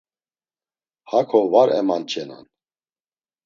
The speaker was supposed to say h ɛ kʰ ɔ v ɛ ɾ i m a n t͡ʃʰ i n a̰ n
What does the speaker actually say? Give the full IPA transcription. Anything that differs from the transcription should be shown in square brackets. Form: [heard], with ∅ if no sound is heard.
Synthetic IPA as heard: h [a] kʰ ɔ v [a] ɾ [ɛ] m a n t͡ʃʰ [ɛ] n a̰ n